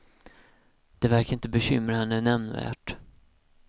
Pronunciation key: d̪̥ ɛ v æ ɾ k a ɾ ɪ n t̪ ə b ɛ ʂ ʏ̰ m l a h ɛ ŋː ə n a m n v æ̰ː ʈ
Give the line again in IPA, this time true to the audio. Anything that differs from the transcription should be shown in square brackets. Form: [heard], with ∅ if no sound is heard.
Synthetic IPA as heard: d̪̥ ɛ v æ ɾ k a ɾ ɪ n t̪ ə b ɛ [ɕ] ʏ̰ m [ɾ] a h ɛ [nː] ə n [ɛ] m n v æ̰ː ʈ

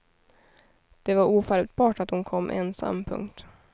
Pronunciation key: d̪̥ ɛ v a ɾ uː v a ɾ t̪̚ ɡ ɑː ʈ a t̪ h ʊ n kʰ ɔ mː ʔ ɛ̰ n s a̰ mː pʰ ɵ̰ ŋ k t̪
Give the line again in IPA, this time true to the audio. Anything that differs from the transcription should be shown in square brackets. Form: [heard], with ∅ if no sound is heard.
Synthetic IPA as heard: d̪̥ ɛ v a ɾ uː [f] a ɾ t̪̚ [b] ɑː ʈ a t̪ h ʊ n kʰ ɔ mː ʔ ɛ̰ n s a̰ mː pʰ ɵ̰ ŋ k t̪

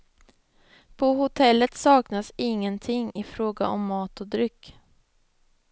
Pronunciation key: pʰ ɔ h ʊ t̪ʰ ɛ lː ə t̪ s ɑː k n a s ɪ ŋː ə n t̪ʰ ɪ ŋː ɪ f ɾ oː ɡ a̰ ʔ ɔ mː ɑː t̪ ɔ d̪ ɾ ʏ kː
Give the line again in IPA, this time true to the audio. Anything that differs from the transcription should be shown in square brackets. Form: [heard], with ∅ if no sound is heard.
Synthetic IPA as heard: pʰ ɔ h ʊ t̪ʰ ɛ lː ə t̪ s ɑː k n a s ɪ ŋː ə n t̪ʰ ɪ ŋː ɪ f ɾ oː ɡ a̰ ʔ ɔ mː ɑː t̪ ɔ d̪ ɾ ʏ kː

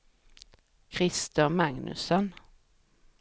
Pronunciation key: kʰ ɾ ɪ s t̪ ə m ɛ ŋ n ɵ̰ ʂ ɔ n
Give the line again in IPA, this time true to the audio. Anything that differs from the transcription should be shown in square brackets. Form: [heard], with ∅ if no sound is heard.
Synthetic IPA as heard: kʰ ɾ ɪ s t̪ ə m [a] ŋ n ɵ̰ [s] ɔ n

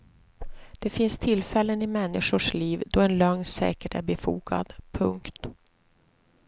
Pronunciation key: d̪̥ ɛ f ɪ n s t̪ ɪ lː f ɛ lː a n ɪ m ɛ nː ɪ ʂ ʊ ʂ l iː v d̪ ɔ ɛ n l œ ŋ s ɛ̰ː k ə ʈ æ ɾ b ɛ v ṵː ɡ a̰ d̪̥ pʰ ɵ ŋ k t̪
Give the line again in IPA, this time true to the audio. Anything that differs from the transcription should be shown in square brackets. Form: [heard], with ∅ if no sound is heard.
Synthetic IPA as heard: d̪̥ ɛ f ɪ n s [t̪ʰ] ɪ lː f ɛ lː [ə] n ɪ m ɛ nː ɪ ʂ ʊ ʂ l iː v d̪ ɔ ɛ n l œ ŋ s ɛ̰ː k ə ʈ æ ɾ b ɛ [f] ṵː ɡ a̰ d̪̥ pʰ ɵ ŋ k t̪

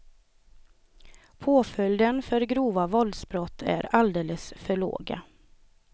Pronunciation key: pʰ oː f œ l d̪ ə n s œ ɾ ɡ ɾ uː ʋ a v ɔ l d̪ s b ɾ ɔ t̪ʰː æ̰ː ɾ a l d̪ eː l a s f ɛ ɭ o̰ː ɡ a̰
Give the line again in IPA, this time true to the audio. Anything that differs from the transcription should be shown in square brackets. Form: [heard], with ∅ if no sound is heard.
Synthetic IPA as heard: pʰ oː f œ l d̪ ə n [f] œ ɾ ɡ ɾ uː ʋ a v ɔ l d̪ s b ɾ ɔ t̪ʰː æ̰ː ɾ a l d̪ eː l [ə] s f [œ] ɭ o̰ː ɡ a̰

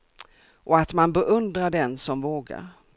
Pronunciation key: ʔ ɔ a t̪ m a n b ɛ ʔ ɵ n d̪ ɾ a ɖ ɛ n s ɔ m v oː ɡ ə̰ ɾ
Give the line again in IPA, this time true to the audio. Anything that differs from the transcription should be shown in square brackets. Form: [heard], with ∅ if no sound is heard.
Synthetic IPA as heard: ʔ ɔ a t̪ m a n b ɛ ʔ ɵ n d̪ ɾ a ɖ ɛ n s ɔ m v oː ɡ [a̰] ɾ

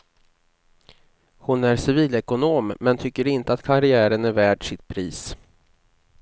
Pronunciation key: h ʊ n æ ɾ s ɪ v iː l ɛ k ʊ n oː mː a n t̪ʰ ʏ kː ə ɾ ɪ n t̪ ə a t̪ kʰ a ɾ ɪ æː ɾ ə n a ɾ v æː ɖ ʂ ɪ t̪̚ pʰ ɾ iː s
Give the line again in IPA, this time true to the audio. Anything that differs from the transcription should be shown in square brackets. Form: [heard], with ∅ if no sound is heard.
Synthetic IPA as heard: h ʊ n æ ɾ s ɪ v iː l ɛ k ʊ n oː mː [ɛ] n t̪ʰ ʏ kː ə ɾ ɪ n t̪ ə a t̪ kʰ a ɾ ɪ æː ɾ ə n [æ] ɾ v æː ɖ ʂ ɪ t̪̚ pʰ ɾ iː s

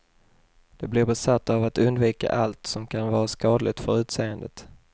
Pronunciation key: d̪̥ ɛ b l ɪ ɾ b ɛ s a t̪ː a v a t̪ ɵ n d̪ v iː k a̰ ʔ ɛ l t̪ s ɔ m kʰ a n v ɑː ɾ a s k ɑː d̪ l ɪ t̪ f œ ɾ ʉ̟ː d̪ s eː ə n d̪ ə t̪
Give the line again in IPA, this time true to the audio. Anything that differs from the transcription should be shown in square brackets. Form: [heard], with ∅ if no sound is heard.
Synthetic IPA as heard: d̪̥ ɛ b l ɪ ɾ b ɛ s a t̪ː a v a t̪ ɵ n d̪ v iː k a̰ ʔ [a] l t̪ s ɔ m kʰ a n v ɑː ɾ a s k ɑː d̪ l ɪ t̪ f œ ɾ ʉ̟ː [t̪] s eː ə n d̪ ə t̪

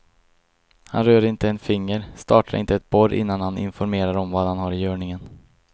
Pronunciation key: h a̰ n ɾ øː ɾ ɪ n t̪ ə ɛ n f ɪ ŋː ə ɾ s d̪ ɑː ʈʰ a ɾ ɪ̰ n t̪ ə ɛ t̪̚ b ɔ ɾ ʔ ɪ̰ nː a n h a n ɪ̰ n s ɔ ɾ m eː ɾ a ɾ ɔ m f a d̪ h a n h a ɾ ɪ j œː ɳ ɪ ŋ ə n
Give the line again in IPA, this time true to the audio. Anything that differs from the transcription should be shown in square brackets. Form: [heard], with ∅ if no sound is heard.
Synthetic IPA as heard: h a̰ n ɾ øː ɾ ɪ n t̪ ə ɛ n f ɪ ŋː ə ɾ s [t̪] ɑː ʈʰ a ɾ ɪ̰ n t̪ ə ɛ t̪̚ b ɔ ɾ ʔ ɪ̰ nː a n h a n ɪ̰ n [f] ɔ ɾ m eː ɾ a ɾ ɔ m [v] a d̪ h a n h a ɾ ɪ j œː ɳ ɪ ŋ ə n

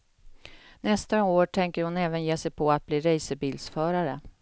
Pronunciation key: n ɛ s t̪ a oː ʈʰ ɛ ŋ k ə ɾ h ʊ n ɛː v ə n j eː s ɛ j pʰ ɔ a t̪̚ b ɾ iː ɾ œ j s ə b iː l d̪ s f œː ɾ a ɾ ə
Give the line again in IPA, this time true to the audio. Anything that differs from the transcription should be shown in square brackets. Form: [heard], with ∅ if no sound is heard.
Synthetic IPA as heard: n ɛ s t̪ a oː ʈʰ ɛ ŋ k ə ɾ h ʊ n ɛː v ə n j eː s ɛ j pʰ ɔ a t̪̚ b [l] iː ɾ [ɛ] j s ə b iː l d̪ s f œː ɾ a ɾ ə

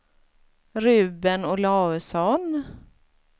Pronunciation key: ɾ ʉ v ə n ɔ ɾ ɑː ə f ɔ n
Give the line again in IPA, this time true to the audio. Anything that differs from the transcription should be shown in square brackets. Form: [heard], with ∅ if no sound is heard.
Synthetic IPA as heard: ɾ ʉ [b] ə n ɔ [l] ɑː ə [s] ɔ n

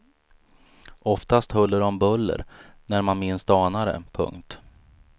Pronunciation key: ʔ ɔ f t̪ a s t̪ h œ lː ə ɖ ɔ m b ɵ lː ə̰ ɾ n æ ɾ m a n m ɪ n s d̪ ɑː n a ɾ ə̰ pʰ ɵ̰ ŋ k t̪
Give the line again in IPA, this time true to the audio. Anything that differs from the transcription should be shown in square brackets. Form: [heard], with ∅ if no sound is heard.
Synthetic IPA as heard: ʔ ɔ f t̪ a s t̪ h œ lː ə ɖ ɔ m b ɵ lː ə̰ ɾ n æ ɾ m a n m ɪ n s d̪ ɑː n a ɾ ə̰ pʰ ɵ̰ ŋ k t̪

